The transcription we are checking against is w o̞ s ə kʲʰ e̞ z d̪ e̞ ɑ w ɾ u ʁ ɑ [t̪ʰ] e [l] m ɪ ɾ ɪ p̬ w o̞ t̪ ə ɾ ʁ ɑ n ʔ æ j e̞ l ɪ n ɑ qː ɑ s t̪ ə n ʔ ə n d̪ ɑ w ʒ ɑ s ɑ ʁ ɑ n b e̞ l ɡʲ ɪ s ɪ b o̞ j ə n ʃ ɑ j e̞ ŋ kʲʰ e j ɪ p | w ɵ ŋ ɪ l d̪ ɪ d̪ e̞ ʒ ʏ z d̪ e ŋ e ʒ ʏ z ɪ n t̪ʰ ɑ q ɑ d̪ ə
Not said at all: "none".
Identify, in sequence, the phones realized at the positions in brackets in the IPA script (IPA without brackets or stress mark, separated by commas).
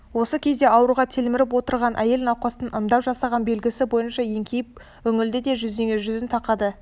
t̪ʰ, l